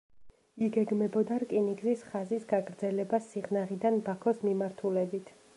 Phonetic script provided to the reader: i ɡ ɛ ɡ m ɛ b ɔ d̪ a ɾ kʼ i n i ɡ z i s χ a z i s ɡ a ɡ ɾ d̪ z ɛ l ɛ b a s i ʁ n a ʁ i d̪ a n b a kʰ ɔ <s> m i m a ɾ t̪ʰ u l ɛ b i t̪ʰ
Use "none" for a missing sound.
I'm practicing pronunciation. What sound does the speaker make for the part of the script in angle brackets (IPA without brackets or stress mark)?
s